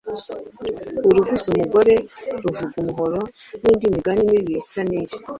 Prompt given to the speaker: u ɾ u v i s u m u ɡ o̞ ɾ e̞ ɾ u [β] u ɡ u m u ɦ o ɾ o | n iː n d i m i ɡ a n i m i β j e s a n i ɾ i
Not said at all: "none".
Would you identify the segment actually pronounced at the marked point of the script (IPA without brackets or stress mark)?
v